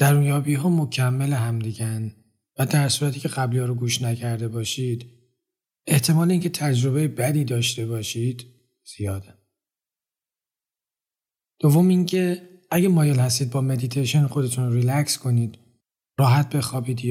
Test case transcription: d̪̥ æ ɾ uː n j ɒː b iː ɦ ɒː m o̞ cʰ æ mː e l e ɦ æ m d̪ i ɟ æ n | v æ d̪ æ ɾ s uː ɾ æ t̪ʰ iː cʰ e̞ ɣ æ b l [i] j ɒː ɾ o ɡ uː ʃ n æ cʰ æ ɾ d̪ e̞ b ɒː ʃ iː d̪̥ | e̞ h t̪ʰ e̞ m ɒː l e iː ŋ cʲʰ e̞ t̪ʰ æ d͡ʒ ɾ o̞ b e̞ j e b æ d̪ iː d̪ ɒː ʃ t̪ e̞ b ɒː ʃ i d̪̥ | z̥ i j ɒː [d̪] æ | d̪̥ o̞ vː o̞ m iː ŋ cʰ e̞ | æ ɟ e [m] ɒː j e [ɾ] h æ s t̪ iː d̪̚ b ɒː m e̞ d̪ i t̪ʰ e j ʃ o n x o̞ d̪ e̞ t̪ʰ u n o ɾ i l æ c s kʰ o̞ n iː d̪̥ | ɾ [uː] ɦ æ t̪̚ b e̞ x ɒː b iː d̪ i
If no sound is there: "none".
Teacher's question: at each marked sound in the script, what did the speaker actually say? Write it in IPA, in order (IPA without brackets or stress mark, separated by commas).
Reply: i, d̪, m, l, ɒː